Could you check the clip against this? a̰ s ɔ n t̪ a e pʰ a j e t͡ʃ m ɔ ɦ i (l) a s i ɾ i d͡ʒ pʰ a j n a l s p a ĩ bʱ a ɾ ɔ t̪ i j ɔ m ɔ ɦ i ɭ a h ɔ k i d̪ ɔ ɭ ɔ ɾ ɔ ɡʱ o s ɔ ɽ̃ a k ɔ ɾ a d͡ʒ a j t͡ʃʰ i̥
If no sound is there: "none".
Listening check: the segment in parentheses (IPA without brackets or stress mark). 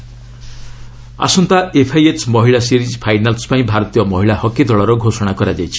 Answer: ɭ